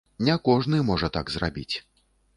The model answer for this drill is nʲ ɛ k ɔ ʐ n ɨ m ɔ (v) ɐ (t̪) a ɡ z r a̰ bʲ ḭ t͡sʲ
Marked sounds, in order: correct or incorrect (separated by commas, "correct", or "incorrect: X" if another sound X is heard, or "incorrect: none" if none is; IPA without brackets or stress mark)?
incorrect: ʐ, correct